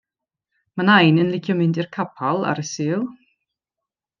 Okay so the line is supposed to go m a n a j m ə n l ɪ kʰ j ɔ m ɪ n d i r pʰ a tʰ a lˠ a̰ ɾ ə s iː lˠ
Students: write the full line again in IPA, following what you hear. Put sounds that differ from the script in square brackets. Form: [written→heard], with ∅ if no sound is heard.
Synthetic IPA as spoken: m a n a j [m→n] ə n l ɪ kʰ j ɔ m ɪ n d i r [pʰ→kʰ] a [tʰ→pʰ] a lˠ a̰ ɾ ə s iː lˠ

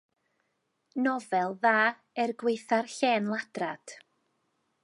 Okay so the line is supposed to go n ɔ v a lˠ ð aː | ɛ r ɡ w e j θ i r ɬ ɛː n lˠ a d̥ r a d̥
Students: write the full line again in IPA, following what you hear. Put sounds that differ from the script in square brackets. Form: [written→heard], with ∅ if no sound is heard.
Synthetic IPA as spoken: n ɔ v [a→ɛ] lˠ ð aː | ɛ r ɡ w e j θ [i→a] r ɬ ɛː n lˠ a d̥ r a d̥

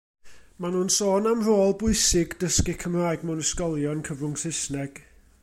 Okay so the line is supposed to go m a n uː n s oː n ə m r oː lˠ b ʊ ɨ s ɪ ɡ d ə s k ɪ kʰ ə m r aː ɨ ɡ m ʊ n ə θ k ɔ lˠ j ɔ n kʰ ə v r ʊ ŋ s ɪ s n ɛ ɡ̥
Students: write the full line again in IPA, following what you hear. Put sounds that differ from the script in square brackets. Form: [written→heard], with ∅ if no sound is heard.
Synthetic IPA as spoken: m a n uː n s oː n [ə→a] m r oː lˠ b ʊ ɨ s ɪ ɡ d ə s k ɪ kʰ ə m r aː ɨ ɡ m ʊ n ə [θ→s] k ɔ lˠ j ɔ n kʰ ə v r ʊ ŋ s ɪ s n ɛ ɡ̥

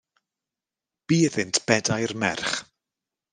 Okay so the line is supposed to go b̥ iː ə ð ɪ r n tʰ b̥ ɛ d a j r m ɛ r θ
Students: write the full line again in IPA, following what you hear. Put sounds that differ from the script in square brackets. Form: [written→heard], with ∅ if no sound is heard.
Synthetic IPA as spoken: b̥ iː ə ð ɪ [r→∅] n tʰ b̥ ɛ d a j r m ɛ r [θ→χ]

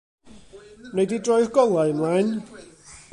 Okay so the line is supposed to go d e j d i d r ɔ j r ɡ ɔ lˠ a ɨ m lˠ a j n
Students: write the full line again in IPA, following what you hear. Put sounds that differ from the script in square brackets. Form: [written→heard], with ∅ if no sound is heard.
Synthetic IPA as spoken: [d→n] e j d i d r ɔ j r ɡ ɔ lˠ a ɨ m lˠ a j n

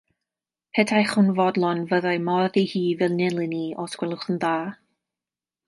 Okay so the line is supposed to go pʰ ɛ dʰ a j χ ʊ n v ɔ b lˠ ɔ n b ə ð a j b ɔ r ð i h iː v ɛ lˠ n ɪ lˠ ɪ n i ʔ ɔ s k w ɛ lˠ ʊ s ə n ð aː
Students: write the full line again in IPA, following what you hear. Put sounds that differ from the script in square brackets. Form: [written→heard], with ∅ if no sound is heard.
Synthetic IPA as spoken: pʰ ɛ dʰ a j χ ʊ n v ɔ [b→d] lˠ ɔ n [b→v] ə ð a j [b→m] ɔ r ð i h iː v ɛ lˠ n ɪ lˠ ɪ n i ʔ ɔ s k w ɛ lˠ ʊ [s→χ] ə n ð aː

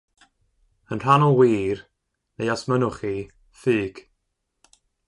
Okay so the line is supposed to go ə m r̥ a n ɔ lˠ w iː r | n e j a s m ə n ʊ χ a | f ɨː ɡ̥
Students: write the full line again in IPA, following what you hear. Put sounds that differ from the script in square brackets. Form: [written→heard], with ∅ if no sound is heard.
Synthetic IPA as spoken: ə [m→n] r̥ a n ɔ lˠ w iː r | n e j a s m ə n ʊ χ [a→i] | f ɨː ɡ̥

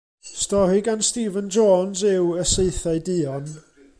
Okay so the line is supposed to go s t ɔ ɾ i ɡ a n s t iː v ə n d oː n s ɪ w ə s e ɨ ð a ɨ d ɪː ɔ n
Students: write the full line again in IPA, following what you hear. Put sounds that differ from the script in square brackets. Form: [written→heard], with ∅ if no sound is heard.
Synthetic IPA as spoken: s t ɔ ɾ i ɡ a n s t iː v ə n [d→d͡ʒ] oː n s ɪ w ə s e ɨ [ð→θ] a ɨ d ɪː ɔ n

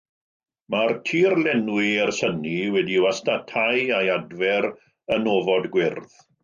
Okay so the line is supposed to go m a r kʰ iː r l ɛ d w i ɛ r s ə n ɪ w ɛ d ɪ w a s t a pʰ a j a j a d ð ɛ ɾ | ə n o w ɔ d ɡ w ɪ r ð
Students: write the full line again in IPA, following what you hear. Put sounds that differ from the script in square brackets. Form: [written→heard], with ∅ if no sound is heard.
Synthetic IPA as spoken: m a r [kʰ→tʰ] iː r l ɛ [d→n] w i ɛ r s ə n [ɪ→i] w ɛ d [ɪ→i] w a s t a [pʰ→tʰ] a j a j a d [ð→v] ɛ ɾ | ə n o [w→v] ɔ d ɡ w ɪ r ð

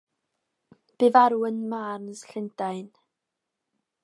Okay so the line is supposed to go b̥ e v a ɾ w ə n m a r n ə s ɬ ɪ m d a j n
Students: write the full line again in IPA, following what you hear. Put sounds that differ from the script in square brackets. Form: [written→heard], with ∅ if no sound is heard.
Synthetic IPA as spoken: b̥ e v a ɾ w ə n m a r n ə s ɬ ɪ [m→n] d a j n

